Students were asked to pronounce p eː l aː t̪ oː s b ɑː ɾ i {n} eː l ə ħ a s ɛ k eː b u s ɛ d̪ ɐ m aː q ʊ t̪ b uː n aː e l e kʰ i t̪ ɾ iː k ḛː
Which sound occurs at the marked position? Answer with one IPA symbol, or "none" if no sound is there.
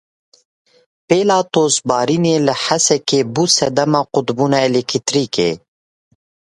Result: n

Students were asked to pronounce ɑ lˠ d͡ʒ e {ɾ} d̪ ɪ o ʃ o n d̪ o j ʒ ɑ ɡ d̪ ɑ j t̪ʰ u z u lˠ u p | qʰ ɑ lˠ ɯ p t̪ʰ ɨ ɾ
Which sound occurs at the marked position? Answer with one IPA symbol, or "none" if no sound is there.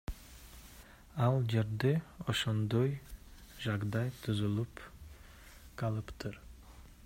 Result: ɾ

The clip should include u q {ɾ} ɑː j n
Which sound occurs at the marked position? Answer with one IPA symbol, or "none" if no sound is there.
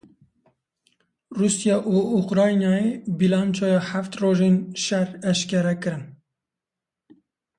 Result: ɾ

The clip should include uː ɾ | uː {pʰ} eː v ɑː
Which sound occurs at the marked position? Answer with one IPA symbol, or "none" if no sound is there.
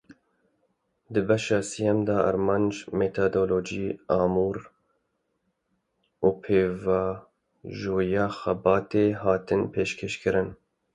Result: pʰ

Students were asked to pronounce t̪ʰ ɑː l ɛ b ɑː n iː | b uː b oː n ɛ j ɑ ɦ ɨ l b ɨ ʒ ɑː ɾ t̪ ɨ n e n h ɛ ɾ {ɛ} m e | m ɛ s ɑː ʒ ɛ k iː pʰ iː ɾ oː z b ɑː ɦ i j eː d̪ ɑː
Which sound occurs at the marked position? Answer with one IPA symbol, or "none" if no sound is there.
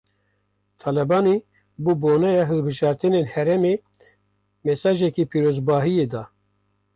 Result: ɛ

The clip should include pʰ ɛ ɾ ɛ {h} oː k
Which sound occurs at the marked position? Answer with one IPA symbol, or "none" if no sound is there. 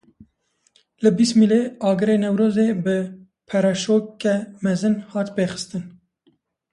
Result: ʃ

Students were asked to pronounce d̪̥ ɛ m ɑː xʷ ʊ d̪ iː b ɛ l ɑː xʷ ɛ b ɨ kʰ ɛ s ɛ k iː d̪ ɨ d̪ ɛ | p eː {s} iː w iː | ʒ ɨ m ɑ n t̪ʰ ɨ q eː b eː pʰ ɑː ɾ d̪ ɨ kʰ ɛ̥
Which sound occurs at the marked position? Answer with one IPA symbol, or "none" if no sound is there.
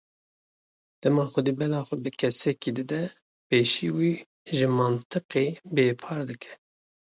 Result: ʃ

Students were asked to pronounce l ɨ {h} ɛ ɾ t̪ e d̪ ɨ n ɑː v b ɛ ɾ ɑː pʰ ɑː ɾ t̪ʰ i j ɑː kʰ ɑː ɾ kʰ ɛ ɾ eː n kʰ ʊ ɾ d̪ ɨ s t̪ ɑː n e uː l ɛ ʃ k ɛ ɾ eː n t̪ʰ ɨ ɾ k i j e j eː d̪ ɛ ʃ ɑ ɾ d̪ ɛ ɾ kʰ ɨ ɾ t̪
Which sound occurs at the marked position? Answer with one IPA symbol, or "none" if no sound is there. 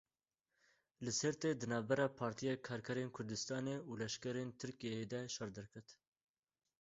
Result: s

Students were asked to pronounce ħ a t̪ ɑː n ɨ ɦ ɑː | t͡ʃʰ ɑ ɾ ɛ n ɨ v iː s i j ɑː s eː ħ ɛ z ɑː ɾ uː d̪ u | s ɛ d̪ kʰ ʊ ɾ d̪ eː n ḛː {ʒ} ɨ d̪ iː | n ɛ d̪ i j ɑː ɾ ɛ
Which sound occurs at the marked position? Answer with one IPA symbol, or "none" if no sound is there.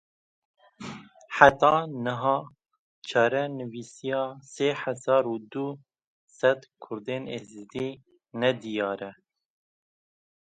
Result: z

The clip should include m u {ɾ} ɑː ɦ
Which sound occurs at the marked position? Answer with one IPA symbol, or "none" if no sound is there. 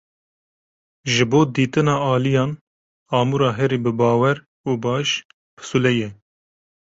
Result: ɾ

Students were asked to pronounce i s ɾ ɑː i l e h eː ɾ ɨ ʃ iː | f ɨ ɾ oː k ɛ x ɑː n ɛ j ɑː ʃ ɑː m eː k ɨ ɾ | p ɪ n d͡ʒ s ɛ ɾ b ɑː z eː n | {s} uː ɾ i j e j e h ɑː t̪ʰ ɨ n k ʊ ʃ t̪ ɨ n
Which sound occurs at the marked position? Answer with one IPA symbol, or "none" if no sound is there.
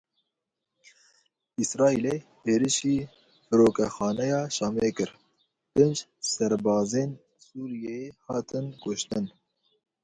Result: s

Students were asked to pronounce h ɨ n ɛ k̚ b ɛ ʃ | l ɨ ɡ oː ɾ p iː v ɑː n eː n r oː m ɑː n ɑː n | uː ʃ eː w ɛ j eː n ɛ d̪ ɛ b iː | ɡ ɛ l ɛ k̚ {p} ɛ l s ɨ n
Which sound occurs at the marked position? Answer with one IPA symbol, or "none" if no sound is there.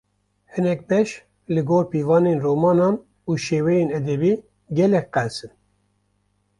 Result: q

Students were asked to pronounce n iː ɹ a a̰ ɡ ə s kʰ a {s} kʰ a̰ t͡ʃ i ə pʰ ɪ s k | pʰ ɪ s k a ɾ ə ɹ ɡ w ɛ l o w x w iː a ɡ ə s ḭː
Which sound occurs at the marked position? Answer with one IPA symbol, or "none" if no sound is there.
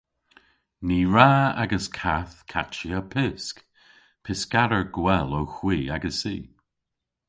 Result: θ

